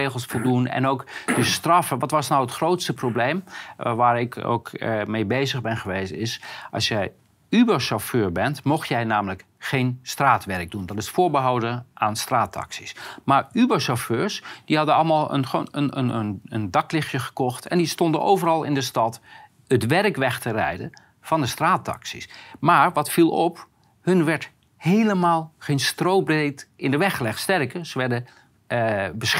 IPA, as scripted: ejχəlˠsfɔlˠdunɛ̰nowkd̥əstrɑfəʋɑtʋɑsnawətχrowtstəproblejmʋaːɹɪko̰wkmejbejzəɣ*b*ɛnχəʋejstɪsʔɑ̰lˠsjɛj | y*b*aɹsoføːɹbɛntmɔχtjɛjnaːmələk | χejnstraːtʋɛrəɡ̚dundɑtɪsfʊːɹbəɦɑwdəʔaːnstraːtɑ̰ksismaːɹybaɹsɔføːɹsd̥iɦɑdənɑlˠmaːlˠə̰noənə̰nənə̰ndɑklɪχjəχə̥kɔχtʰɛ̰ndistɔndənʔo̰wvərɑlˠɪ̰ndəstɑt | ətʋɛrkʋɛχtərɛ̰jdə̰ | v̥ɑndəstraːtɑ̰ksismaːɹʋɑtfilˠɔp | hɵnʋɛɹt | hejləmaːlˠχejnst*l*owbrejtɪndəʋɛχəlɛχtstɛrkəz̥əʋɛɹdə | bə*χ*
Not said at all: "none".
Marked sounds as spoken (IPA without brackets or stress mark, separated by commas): b, b, r, s